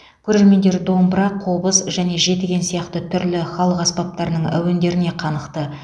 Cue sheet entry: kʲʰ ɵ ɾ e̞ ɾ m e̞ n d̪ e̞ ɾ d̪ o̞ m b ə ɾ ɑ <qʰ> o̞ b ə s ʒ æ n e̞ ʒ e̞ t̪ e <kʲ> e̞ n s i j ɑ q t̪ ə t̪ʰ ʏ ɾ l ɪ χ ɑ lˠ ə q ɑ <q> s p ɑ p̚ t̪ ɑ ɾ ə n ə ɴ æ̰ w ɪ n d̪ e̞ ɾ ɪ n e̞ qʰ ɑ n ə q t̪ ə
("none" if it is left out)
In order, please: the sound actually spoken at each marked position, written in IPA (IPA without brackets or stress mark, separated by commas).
qʰ, ɡʲ, none